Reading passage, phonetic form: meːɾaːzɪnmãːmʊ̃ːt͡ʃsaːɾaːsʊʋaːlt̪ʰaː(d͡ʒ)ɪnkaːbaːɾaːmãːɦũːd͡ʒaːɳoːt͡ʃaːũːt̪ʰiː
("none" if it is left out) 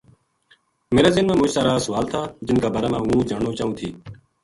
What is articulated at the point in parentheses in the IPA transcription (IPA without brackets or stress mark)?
d͡ʒ